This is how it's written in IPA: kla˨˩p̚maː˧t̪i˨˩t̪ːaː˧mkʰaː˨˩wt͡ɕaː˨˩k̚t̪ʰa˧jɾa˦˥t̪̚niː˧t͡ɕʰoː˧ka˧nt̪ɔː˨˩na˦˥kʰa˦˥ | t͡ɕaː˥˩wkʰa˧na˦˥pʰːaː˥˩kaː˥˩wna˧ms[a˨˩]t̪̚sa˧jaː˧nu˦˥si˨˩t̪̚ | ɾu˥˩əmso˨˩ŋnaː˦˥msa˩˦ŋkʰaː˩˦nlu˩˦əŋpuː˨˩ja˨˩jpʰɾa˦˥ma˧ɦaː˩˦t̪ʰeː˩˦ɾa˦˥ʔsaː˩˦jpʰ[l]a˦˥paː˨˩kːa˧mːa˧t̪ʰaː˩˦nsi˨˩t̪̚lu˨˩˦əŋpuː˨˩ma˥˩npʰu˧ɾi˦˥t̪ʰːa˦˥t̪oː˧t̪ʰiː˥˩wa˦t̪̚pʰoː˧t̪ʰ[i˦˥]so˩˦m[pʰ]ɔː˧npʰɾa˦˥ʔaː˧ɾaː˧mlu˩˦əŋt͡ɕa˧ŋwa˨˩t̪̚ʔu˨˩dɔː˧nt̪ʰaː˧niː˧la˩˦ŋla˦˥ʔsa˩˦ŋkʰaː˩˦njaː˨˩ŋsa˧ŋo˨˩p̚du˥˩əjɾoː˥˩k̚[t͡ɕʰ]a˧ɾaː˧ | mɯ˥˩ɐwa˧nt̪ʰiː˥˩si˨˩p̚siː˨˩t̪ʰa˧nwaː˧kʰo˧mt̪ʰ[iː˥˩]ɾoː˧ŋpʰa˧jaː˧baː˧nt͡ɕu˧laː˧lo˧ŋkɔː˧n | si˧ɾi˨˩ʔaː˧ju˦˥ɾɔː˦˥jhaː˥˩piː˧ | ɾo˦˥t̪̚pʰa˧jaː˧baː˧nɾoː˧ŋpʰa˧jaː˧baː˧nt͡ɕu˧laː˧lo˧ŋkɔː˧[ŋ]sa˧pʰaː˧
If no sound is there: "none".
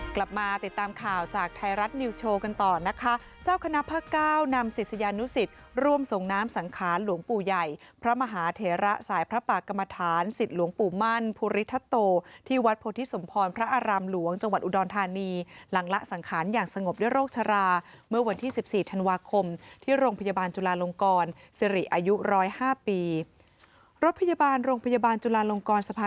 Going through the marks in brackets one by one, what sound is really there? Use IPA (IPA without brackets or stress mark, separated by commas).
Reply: i˨˩, ɾ, i˦˥, pʰ, t͡ɕʰ, iː˥˩, n